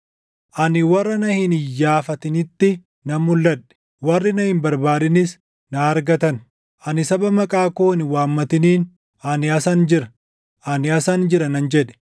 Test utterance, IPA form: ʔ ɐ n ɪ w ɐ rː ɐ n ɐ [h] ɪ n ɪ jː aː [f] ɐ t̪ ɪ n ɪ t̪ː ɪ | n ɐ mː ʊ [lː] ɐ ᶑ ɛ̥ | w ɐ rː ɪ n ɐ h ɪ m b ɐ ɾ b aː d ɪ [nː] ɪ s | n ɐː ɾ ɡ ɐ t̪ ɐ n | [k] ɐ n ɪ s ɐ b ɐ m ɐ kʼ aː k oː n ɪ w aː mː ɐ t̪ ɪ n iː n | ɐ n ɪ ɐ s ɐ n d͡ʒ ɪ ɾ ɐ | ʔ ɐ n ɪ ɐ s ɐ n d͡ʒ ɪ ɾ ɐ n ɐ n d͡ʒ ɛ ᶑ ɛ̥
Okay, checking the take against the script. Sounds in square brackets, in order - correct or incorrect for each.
correct, correct, correct, incorrect: n, incorrect: ʔ

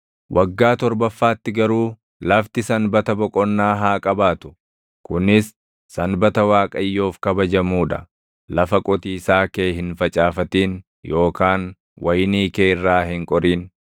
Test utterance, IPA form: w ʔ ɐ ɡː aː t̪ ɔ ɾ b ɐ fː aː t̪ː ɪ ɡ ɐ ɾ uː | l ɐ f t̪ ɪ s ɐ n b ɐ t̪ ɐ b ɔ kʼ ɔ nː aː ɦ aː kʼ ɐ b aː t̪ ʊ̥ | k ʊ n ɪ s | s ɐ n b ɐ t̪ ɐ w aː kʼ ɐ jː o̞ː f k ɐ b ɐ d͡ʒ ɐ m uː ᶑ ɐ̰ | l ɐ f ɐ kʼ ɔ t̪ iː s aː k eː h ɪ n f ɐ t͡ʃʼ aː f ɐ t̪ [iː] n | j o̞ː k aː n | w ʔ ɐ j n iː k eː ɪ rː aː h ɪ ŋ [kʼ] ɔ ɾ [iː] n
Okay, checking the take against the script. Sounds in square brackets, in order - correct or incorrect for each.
correct, correct, correct

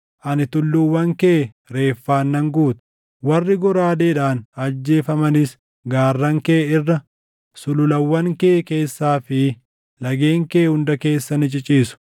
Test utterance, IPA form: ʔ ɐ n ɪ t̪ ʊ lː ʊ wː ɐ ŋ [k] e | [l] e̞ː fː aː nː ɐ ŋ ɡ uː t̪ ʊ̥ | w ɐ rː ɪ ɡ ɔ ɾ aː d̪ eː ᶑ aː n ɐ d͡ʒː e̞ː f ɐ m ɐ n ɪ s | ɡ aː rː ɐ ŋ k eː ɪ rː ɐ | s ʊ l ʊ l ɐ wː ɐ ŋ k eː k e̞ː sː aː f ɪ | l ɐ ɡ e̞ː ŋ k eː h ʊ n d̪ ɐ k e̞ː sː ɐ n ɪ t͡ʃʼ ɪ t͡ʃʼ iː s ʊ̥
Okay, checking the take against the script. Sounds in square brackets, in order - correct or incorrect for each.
correct, incorrect: ɾ

